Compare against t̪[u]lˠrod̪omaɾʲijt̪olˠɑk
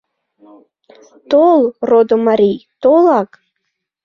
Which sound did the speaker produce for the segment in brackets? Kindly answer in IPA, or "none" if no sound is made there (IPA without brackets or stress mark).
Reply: o